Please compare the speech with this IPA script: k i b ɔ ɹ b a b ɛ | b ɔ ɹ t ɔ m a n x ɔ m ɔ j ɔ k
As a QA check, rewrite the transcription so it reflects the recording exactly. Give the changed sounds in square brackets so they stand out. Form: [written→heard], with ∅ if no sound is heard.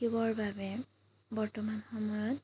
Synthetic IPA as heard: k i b ɔ ɹ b a b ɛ | b ɔ ɹ t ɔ m a n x ɔ m ɔ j ɔ [k→t]